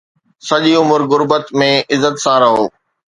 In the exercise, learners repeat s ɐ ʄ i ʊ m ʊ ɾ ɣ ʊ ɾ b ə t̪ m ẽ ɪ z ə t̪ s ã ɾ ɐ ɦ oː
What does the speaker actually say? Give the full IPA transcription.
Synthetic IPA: s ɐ ʄ i ʊ m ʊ ɾ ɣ ʊ ɾ b ə t̪ m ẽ ɪ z ə t̪ s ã ɾ ɐ ɦ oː